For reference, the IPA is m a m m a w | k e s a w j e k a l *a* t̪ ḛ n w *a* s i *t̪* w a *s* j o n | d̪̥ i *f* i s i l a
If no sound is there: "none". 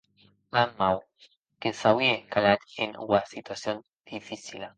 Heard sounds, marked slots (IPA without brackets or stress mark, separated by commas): a, a, t̪, s, f